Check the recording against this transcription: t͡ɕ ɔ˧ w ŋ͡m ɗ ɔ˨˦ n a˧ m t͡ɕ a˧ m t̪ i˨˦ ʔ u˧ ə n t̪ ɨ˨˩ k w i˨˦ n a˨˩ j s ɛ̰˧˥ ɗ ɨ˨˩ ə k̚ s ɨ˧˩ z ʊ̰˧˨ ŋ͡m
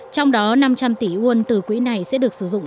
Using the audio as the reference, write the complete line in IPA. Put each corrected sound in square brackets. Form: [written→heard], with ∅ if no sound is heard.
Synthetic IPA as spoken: t͡ɕ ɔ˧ w ŋ͡m ɗ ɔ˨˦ n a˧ m t͡ɕ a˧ m t̪ [i˨˦→i˧˩] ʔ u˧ ə n t̪ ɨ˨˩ k w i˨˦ n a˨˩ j s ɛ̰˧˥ ɗ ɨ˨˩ ə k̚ s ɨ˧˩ z ʊ̰˧˨ ŋ͡m